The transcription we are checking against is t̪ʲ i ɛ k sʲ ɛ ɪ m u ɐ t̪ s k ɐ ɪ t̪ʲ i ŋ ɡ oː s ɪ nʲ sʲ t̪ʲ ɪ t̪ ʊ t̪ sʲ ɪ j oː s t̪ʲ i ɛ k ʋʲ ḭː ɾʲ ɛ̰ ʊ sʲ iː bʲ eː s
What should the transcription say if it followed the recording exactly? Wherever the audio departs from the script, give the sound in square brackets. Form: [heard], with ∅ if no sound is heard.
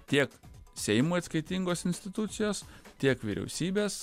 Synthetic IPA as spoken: t̪ʲ i ɛ k sʲ ɛ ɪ m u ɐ t̪ s k ɐ ɪ t̪ʲ i ŋ ɡ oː s ɪ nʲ sʲ t̪ʲ ɪ t̪ ʊ t̪ sʲ ɪ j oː s t̪ʲ i ɛ k ʋʲ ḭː ɾʲ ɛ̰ ʊ sʲ iː bʲ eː s